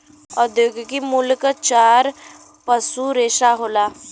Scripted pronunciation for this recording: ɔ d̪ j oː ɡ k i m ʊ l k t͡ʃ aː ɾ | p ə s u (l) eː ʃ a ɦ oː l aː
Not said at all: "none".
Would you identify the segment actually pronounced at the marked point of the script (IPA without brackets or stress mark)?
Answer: ɾ